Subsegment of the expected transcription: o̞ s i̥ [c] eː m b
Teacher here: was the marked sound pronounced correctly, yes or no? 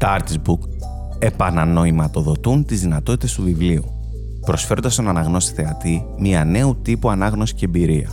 yes